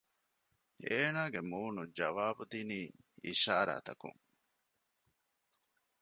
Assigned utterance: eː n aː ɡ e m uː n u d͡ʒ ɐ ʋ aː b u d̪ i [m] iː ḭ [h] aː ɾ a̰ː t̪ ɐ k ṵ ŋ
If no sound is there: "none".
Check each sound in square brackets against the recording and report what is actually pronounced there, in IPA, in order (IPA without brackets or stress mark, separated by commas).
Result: n, ʃ